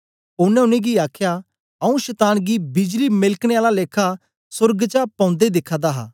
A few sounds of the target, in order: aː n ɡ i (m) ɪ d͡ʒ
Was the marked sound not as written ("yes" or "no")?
yes